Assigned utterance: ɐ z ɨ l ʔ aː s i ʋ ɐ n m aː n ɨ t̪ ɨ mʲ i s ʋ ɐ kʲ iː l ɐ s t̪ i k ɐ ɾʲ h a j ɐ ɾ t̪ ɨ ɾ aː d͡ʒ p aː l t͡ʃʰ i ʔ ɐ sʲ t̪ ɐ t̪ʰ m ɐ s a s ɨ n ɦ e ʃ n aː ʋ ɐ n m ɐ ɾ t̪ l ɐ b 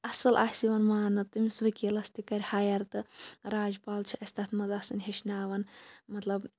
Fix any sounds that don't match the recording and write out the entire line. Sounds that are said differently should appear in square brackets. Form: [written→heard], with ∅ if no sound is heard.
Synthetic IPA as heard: ɐ [z→s] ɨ l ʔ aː s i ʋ ɐ n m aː n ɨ t̪ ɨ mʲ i s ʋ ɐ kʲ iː l ɐ s t̪ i k ɐ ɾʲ h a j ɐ ɾ t̪ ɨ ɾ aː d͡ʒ p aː l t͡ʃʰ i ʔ ɐ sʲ t̪ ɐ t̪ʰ m ɐ [s→z] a s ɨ n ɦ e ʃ n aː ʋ ɐ n m ɐ [ɾ→∅] t̪ l ɐ b

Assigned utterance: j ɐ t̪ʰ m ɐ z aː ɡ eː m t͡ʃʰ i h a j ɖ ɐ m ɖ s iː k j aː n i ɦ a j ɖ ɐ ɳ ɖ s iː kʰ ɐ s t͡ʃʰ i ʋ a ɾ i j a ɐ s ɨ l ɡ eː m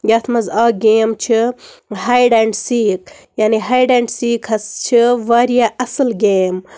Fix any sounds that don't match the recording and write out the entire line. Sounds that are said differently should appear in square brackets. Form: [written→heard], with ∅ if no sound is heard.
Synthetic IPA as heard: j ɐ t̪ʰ m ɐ z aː ɡ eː m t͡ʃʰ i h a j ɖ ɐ [m→ɳ] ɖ s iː k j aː n i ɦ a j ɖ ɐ ɳ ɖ s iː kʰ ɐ s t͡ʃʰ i ʋ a ɾ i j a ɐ s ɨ l ɡ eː m

